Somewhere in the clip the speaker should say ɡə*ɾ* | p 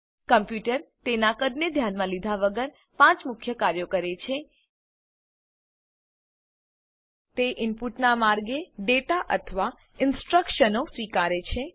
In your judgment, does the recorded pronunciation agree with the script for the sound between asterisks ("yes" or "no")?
yes